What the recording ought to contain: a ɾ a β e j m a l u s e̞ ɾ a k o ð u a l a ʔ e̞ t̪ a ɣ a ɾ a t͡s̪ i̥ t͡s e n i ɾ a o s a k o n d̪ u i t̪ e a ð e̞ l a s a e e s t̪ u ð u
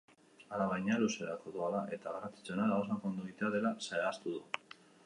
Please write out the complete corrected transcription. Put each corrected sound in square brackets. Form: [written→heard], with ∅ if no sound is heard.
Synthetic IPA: a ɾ a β [e→a] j [m→ɲ] a l u s e̞ ɾ a k o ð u a l a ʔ e̞ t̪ a ɣ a ɾ a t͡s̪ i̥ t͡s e n [i→a] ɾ a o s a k o n d̪ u i t̪ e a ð e̞ l a s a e [e→a] s t̪ u ð u